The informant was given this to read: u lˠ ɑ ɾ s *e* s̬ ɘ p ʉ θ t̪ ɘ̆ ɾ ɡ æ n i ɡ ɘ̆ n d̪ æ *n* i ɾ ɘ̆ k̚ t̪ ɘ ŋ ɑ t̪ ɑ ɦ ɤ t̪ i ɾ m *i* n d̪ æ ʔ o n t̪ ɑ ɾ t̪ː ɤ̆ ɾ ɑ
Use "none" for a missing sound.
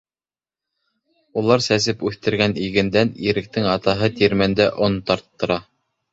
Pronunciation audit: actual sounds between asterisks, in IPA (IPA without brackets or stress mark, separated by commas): æ, n, æ